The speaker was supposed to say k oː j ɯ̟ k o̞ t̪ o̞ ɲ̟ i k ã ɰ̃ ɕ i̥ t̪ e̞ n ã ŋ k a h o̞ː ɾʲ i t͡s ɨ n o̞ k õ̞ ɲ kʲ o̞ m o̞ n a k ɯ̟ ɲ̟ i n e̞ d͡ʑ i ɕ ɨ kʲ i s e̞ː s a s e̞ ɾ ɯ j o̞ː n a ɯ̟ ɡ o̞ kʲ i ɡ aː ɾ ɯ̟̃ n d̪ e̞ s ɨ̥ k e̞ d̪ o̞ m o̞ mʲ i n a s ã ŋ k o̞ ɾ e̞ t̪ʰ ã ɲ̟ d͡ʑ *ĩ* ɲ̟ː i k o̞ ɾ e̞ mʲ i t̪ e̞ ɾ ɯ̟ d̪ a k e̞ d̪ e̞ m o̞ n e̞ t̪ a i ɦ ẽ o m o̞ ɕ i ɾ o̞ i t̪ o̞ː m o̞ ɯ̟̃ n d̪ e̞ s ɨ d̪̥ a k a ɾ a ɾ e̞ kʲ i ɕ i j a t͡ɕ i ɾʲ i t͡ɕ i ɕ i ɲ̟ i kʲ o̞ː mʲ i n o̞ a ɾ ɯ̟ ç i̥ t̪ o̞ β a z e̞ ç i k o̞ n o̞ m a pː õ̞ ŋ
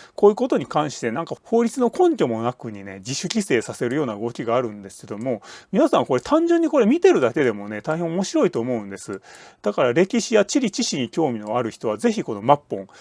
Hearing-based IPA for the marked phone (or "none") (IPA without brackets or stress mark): ɨ̃